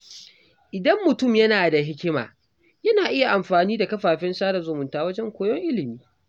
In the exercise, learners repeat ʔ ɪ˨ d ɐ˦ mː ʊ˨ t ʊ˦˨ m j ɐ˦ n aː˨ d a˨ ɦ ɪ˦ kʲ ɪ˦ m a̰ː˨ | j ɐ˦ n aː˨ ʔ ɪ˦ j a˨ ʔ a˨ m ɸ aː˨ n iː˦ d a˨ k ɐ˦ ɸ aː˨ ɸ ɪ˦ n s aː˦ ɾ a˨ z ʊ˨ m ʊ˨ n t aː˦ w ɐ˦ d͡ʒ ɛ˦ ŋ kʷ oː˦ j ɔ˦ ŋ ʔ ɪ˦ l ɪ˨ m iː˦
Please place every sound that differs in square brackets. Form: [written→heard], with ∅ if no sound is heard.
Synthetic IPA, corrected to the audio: ʔ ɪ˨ d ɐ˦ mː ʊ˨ t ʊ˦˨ m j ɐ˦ n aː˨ d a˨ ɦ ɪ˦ kʲ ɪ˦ m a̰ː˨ | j ɐ˦ n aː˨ ʔ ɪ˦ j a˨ ʔ a˨ m ɸ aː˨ n iː˦ d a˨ k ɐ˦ ɸ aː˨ ɸ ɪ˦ n s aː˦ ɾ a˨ z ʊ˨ m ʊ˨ n t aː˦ w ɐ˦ d͡ʒ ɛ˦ ŋ kʷ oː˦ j ɔ˦ ŋ ʔ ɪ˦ l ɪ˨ m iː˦